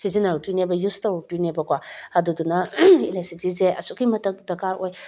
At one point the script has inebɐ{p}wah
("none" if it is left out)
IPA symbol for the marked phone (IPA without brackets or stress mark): k